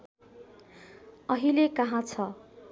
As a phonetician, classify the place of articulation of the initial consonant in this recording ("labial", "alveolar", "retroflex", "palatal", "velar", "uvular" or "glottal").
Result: glottal